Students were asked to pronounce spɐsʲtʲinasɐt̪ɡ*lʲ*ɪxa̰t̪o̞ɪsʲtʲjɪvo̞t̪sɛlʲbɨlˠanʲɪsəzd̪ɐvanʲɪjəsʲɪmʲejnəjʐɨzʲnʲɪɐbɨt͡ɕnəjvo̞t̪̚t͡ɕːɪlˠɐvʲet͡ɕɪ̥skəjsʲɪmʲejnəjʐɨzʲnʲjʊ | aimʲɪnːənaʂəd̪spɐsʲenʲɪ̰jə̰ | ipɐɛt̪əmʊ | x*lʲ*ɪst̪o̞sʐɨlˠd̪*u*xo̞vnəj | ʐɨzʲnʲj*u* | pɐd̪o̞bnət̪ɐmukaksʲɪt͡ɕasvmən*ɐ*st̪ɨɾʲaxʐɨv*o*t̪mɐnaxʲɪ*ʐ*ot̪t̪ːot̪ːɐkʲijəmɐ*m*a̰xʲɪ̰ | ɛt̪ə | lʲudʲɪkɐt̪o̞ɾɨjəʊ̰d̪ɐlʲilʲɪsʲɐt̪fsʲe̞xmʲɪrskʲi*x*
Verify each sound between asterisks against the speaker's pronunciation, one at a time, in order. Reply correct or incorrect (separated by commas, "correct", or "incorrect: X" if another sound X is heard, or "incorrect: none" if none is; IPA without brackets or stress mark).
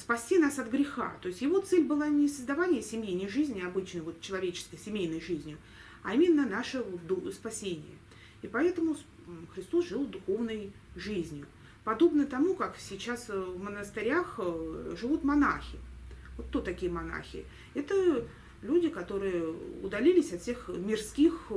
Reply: incorrect: ɾʲ, incorrect: ɾʲ, incorrect: ʊ, incorrect: ʊ, incorrect: ə, incorrect: u, incorrect: v, incorrect: n, correct